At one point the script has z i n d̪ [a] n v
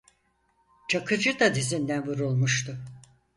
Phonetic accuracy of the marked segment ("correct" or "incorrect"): incorrect